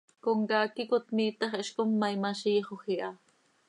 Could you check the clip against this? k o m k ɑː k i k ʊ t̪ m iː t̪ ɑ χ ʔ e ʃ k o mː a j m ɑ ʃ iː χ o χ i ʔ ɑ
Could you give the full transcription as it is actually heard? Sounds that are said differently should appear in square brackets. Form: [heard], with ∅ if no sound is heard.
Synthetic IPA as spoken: k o [ŋ] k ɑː k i k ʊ t̪ m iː t̪ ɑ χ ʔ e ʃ k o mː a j m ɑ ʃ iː χ o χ i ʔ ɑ